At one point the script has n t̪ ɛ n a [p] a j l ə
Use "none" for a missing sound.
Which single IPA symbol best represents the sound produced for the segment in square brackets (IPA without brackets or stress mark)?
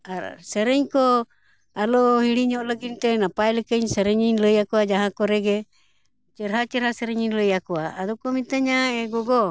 p